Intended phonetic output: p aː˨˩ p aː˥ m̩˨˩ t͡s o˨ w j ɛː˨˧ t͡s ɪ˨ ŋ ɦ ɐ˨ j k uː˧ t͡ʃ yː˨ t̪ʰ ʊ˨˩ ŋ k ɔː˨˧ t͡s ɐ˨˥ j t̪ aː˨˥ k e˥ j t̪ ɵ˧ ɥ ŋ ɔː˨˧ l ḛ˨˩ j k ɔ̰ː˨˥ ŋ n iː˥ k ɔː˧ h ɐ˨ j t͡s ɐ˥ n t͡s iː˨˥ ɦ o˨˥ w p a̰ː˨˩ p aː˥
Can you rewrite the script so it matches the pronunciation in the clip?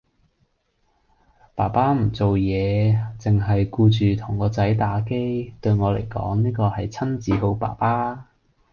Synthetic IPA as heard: p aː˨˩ p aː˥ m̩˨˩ t͡s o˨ w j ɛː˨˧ t͡s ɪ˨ ŋ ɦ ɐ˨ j k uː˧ t͡ʃ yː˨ t̪ʰ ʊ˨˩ ŋ k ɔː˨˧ t͡s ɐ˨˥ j t̪ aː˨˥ k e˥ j t̪ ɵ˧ ɥ ŋ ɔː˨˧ l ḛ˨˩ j k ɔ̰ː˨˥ ŋ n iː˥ k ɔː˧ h ɐ˨ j t͡sʰ ɐ˥ n t͡s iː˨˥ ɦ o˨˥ w p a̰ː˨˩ p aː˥